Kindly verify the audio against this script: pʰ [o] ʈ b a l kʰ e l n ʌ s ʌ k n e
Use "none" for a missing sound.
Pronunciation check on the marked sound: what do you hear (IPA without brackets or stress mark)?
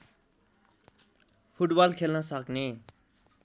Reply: u